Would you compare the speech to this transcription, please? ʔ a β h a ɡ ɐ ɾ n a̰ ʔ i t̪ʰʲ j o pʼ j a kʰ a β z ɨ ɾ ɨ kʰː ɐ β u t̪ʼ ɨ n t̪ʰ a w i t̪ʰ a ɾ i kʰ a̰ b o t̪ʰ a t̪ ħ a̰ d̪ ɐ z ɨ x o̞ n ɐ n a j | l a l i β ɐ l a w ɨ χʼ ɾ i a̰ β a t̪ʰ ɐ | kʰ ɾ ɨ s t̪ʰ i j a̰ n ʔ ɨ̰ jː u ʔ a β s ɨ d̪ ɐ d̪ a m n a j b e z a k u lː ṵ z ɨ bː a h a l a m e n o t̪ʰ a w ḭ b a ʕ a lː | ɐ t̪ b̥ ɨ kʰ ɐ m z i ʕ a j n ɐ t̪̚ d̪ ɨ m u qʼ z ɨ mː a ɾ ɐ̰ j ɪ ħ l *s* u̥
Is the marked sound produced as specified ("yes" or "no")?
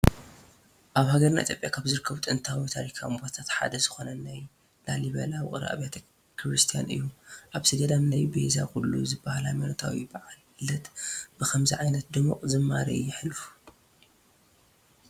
no